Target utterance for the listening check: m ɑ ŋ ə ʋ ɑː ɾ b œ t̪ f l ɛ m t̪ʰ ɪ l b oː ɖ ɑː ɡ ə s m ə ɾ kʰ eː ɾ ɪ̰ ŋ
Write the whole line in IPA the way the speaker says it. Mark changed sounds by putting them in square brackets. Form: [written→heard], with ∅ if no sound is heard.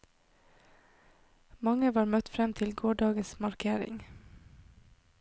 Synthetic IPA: m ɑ ŋ ə ʋ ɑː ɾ [b→m] œ t̪ f [l→ɾ] ɛ m t̪ʰ ɪ l [b→ɡ] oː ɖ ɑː ɡ ə s m [ə→ɑ] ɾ kʰ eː ɾ ɪ̰ ŋ